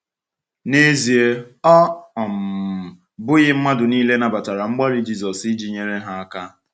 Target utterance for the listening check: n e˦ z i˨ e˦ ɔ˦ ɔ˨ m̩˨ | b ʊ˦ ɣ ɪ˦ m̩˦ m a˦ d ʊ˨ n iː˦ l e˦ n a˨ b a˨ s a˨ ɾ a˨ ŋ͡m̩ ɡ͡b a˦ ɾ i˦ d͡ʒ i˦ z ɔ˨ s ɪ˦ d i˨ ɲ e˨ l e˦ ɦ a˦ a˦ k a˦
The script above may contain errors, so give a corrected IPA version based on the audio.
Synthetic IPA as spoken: n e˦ z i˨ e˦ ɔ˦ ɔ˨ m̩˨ | b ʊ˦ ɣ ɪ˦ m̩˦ m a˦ d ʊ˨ n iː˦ l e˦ n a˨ b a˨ t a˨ ɾ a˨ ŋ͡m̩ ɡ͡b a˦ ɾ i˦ d͡ʒ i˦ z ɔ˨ s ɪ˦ d͡ʒ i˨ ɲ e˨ ɾ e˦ ɦ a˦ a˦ k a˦